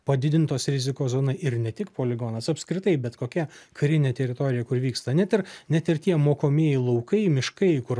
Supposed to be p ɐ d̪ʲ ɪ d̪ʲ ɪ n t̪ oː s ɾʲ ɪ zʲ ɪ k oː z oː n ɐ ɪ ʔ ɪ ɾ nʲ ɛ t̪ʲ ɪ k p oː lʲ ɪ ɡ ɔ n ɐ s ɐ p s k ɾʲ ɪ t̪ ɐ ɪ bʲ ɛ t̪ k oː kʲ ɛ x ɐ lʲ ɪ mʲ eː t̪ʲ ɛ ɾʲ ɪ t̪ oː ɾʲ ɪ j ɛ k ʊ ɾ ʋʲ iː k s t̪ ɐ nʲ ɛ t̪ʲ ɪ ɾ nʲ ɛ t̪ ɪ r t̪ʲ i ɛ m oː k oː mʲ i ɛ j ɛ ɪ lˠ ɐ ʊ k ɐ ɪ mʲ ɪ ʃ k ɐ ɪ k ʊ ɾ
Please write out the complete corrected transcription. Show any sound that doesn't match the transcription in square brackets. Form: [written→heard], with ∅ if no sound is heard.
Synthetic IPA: p ɐ d̪ʲ ɪ d̪ʲ ɪ n t̪ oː s ɾʲ ɪ zʲ ɪ k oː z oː n ɐ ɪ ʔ ɪ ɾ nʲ ɛ t̪ʲ ɪ k p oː lʲ ɪ ɡ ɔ n ɐ s ɐ p s k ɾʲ ɪ t̪ ɐ ɪ bʲ ɛ t̪ k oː kʲ ɛ [x→k] ɐ [lʲ→ɾʲ] ɪ [mʲ→nʲ] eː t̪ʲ ɛ ɾʲ ɪ t̪ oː ɾʲ ɪ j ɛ k ʊ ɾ ʋʲ iː k s t̪ ɐ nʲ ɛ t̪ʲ ɪ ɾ nʲ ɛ t̪ ɪ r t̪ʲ i ɛ m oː k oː mʲ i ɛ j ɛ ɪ lˠ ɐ ʊ k ɐ ɪ mʲ ɪ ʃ k ɐ ɪ k ʊ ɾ

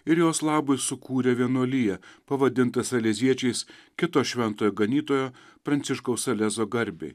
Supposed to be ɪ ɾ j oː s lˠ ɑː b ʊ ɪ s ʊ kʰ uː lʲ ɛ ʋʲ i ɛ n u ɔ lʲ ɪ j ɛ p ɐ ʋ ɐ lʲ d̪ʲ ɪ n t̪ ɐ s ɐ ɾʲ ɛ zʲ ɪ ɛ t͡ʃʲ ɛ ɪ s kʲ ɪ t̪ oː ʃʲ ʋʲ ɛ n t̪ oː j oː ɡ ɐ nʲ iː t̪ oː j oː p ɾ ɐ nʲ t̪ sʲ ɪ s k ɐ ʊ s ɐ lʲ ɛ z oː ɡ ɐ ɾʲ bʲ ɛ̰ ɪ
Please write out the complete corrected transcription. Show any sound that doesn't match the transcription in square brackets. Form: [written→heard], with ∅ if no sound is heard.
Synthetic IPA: ɪ ɾ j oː s lˠ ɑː b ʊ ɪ s ʊ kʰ uː [lʲ→ɾʲ] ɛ ʋʲ i ɛ n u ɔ lʲ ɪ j ɛ p ɐ ʋ ɐ [lʲ→∅] d̪ʲ ɪ n t̪ ɐ s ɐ [ɾʲ→lʲ] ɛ zʲ [ɪ→i] ɛ t͡ʃʲ ɛ ɪ s kʲ ɪ t̪ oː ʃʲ ʋʲ ɛ n t̪ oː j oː ɡ ɐ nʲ iː t̪ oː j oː p ɾ ɐ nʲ t̪ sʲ ɪ [s→ʃ] k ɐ ʊ s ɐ lʲ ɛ z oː ɡ ɐ ɾʲ bʲ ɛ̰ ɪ

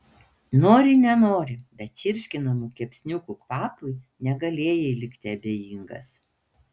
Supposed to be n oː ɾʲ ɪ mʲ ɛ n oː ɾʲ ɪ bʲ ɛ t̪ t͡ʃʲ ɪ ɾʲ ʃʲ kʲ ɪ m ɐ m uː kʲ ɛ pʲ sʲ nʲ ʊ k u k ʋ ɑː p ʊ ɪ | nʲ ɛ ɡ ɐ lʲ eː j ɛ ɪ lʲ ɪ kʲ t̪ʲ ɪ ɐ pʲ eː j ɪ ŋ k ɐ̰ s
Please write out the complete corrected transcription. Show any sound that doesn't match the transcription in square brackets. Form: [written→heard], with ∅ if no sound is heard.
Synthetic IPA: n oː ɾʲ ɪ [mʲ→nʲ] ɛ n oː ɾʲ ɪ bʲ ɛ t̪ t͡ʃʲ ɪ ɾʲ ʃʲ kʲ ɪ [m→n] ɐ m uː kʲ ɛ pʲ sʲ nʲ ʊ k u k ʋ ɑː p ʊ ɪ | nʲ ɛ ɡ ɐ lʲ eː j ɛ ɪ lʲ ɪ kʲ t̪ʲ ɪ ɐ [pʲ→bʲ] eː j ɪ ŋ [k→ɡ] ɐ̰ s

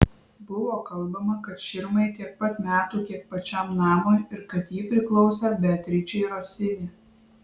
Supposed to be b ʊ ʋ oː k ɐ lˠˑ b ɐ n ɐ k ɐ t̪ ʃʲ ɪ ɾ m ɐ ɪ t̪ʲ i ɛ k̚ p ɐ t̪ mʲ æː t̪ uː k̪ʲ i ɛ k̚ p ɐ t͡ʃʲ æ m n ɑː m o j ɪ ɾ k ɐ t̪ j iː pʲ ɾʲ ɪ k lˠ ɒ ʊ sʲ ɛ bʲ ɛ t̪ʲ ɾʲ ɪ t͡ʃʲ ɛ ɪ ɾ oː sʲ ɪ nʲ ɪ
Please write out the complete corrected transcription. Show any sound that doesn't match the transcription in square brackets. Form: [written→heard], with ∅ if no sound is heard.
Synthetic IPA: b ʊ ʋ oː k ɐ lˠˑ b ɐ [n→m] ɐ k ɐ t̪ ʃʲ ɪ ɾ m ɐ ɪ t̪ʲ i ɛ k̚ p ɐ t̪ mʲ æː t̪ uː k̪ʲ i ɛ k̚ p ɐ t͡ʃʲ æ m n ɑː m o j ɪ ɾ k ɐ t̪ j iː pʲ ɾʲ ɪ k lˠ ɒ ʊ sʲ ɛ bʲ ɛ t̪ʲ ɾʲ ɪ t͡ʃʲ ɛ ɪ ɾ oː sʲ ɪ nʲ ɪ

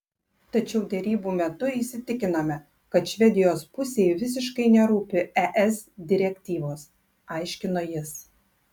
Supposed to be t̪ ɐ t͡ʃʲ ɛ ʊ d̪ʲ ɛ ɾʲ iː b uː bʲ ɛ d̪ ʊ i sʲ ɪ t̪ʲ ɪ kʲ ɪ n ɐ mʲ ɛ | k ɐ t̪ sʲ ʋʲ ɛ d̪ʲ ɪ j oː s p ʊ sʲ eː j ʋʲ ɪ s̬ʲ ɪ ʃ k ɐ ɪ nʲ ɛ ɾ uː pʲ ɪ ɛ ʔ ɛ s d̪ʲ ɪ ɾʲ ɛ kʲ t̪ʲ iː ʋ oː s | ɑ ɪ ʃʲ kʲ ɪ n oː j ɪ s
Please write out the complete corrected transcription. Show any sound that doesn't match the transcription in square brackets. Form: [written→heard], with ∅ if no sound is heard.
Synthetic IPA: t̪ ɐ t͡ʃʲ ɛ ʊ d̪ʲ ɛ ɾʲ iː b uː [bʲ→mʲ] ɛ [d̪→t̪] ʊ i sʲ ɪ t̪ʲ ɪ kʲ ɪ n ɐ mʲ ɛ | k ɐ t̪ [sʲ→ʃʲ] ʋʲ ɛ d̪ʲ ɪ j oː s p ʊ sʲ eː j ʋʲ ɪ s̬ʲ ɪ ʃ k ɐ ɪ nʲ ɛ ɾ uː pʲ ɪ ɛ ʔ ɛ s d̪ʲ ɪ ɾʲ ɛ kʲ t̪ʲ iː ʋ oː s | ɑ ɪ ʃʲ kʲ ɪ n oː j ɪ s

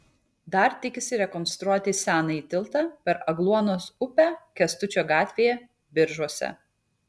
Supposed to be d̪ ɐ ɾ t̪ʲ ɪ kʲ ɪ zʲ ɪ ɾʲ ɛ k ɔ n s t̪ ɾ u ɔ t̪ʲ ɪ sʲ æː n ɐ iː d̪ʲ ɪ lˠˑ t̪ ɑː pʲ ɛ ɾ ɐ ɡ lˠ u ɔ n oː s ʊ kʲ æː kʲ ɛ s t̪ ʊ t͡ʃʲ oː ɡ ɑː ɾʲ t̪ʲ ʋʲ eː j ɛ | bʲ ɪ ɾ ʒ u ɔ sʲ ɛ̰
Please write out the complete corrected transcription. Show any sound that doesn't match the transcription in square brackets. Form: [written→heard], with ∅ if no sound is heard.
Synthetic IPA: d̪ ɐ ɾ t̪ʲ ɪ kʲ ɪ [zʲ→sʲ] ɪ ɾʲ ɛ k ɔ n s t̪ ɾ u ɔ t̪ʲ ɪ sʲ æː n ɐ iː [d̪ʲ→t̪ʲ] ɪ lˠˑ t̪ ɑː pʲ ɛ ɾ ɐ ɡ lˠ u ɔ n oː s ʊ [kʲ→pʲ] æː kʲ ɛ s t̪ ʊ t͡ʃʲ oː ɡ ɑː [ɾʲ→∅] t̪ʲ ʋʲ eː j ɛ | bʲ ɪ ɾ ʒ u ɔ sʲ ɛ̰

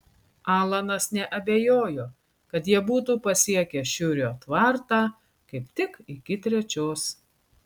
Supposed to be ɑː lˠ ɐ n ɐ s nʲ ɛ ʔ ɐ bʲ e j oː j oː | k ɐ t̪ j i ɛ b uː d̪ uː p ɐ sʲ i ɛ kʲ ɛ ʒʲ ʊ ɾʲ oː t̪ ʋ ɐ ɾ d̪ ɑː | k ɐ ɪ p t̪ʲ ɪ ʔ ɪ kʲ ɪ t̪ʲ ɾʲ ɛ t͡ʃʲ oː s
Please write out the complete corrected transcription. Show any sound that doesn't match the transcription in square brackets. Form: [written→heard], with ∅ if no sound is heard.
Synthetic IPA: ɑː lˠ ɐ n ɐ s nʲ ɛ ʔ ɐ bʲ e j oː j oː | k ɐ t̪ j i ɛ b uː [d̪→t̪] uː p ɐ sʲ i ɛ kʲ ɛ [ʒʲ→ʃʲ] ʊ ɾʲ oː t̪ ʋ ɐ ɾ [d̪→t̪] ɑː | k ɐ ɪ p t̪ʲ ɪ [ʔ→k] ɪ kʲ ɪ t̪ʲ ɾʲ ɛ t͡ʃʲ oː s

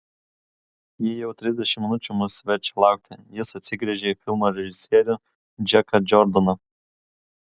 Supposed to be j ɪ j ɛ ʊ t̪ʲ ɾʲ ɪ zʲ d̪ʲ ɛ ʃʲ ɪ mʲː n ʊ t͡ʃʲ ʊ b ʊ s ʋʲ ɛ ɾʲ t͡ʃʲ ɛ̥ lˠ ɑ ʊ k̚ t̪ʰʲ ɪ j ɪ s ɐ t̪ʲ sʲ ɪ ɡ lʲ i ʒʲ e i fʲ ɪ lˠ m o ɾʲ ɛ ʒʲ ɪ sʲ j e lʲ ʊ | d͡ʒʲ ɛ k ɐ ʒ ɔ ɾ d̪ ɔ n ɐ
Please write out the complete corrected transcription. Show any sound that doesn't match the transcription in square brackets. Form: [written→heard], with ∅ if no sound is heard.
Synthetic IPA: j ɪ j ɛ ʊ t̪ʲ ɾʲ ɪ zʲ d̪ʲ ɛ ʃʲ ɪ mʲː n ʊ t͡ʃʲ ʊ [b→m] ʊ s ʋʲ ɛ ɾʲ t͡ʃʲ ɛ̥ lˠ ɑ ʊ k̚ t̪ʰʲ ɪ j ɪ s ɐ t̪ʲ sʲ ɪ ɡ [lʲ→ɾʲ] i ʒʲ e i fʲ ɪ lˠ m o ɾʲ ɛ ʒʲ ɪ sʲ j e [lʲ→ɾʲ] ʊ | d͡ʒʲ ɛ k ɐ [ʒ→d͡ʒ] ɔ ɾ d̪ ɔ n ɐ

